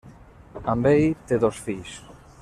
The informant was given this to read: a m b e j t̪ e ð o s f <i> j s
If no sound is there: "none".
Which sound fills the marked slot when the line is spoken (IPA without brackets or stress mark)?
i